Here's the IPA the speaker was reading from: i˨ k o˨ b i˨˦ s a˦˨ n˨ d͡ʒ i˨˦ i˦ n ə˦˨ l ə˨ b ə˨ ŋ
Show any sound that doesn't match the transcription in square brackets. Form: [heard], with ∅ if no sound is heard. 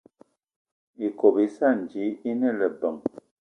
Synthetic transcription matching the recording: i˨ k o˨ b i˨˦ s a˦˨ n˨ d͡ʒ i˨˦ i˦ n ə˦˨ l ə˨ b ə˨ ŋ